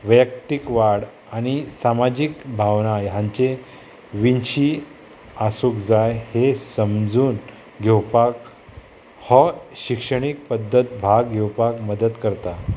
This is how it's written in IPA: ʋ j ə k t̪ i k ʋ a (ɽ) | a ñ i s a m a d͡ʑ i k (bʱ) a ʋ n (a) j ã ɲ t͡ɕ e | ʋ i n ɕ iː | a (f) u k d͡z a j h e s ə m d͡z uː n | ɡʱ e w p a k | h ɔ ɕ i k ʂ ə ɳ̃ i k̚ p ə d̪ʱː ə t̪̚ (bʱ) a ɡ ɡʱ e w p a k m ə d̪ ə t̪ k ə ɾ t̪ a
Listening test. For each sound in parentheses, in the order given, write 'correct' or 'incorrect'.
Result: correct, correct, correct, incorrect: s, correct

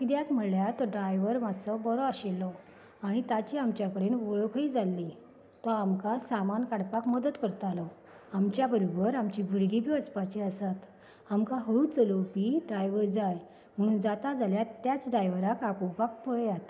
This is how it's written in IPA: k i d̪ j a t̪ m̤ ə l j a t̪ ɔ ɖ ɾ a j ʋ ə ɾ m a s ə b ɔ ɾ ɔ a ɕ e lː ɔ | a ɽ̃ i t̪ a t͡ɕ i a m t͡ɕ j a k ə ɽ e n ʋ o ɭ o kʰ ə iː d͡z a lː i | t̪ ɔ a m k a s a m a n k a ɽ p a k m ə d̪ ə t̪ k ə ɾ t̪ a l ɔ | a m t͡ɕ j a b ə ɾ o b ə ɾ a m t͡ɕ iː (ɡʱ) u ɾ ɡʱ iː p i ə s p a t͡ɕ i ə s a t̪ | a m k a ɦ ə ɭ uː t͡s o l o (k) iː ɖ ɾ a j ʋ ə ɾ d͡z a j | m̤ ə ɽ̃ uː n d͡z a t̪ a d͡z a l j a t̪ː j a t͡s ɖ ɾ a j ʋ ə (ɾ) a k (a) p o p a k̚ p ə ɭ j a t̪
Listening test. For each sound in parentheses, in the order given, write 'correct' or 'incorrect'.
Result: incorrect: bʱ, incorrect: p, correct, correct

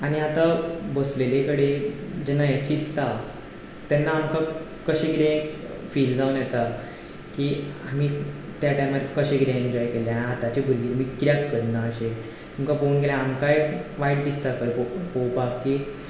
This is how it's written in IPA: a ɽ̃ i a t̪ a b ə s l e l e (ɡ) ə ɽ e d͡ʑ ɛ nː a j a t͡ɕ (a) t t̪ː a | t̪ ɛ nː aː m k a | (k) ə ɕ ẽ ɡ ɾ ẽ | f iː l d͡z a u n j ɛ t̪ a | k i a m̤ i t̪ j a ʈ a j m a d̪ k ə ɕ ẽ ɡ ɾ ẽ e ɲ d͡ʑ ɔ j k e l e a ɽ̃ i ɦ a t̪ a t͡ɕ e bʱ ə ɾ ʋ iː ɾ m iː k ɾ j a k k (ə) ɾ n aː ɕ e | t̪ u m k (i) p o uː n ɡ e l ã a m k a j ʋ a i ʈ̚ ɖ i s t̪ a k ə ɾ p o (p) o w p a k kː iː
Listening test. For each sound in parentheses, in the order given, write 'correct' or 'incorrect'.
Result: incorrect: k, incorrect: i, correct, correct, incorrect: a, correct

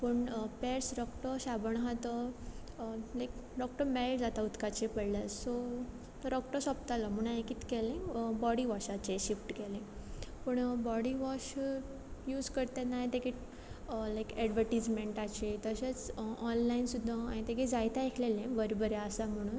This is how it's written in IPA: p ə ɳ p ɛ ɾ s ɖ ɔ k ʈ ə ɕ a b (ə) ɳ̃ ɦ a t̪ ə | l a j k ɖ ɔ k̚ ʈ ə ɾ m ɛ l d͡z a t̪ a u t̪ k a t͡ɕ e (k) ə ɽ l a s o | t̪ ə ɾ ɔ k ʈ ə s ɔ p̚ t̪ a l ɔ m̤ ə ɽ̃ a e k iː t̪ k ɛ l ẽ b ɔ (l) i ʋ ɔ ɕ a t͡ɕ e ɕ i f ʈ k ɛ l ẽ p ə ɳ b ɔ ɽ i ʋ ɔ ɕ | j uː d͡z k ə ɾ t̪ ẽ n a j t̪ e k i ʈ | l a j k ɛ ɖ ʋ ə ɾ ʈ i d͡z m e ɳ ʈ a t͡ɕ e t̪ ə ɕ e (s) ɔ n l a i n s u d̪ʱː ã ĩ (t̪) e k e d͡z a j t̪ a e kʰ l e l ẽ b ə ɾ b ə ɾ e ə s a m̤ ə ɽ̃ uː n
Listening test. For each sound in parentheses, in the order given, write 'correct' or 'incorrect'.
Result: correct, incorrect: p, incorrect: ɽ, incorrect: t͡s, correct

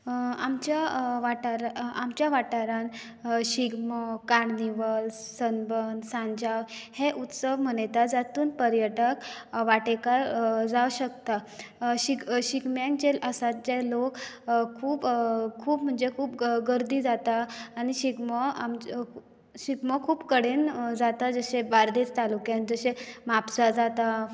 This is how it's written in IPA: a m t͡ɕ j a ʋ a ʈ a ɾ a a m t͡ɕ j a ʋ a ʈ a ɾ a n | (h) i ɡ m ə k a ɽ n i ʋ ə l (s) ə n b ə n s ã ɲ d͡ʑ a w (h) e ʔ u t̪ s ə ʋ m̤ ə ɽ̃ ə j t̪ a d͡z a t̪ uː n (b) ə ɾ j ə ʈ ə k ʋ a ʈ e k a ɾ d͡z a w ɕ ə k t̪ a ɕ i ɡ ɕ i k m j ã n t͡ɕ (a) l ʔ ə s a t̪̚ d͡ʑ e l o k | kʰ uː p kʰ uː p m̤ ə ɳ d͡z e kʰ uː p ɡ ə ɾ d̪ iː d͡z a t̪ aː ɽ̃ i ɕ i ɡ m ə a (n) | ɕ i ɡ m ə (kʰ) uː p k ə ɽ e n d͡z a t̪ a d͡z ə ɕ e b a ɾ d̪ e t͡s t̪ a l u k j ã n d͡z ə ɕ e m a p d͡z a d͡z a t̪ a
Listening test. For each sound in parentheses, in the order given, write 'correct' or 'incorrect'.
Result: incorrect: ɕ, correct, correct, incorrect: p, incorrect: e, incorrect: m, correct

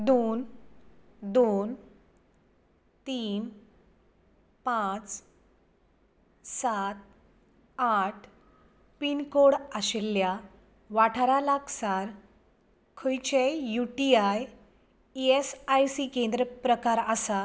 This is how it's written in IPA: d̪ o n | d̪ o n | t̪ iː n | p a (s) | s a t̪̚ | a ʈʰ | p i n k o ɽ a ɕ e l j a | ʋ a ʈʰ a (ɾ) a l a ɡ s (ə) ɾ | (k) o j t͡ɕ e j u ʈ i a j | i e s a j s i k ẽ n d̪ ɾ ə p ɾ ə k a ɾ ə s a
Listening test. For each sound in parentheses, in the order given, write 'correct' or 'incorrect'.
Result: incorrect: t͡s, correct, incorrect: a, incorrect: kʰ

